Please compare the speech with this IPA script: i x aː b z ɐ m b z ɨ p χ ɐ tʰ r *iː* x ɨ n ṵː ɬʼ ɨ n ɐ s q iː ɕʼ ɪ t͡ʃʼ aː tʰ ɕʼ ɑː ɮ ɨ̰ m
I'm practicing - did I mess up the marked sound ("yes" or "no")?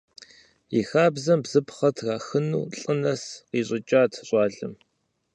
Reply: yes